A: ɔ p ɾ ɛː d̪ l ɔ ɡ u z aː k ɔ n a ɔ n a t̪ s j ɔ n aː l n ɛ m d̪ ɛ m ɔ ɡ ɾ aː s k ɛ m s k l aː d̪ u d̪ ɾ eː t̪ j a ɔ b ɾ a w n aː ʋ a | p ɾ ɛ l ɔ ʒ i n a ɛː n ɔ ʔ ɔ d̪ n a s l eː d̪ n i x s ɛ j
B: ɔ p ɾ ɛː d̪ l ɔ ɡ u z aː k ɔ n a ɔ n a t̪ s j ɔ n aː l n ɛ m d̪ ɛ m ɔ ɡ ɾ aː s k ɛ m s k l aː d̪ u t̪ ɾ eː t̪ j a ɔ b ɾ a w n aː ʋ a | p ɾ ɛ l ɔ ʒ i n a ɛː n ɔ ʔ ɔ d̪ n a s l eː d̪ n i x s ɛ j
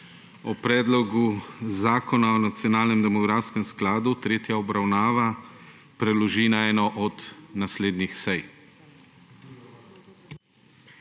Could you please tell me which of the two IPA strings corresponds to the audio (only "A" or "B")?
B